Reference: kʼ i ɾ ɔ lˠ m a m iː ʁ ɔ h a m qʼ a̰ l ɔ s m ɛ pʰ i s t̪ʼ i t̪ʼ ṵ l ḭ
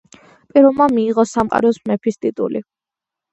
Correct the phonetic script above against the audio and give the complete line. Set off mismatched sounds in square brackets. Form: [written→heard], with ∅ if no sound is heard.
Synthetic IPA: [kʼ→pʼ] i ɾ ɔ lˠ m a m iː ʁ ɔ [h→s] a m qʼ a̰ [l→ɾ] ɔ s m ɛ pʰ i s t̪ʼ i t̪ʼ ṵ l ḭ